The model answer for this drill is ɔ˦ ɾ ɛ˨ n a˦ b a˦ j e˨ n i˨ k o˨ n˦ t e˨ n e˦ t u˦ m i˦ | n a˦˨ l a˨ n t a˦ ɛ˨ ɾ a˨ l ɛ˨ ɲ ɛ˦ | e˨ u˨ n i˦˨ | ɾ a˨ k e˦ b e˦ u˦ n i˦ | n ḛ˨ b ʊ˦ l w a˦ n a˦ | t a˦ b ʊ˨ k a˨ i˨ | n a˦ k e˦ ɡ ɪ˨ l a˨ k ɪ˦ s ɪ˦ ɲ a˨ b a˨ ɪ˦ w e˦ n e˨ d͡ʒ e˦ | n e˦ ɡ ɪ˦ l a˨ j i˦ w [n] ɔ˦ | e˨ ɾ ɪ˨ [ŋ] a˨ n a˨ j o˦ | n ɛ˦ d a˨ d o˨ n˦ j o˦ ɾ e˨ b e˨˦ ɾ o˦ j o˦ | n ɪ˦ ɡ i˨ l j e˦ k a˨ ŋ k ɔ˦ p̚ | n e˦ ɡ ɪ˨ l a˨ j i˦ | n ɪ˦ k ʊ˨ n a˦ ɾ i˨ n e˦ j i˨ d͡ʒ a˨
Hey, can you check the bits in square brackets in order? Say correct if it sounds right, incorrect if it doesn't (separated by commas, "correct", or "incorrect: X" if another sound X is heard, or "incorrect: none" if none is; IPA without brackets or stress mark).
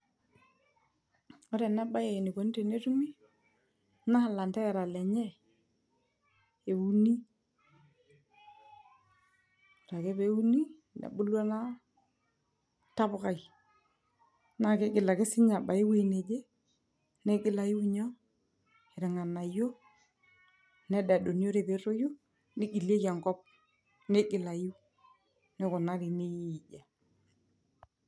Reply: incorrect: ɲ, correct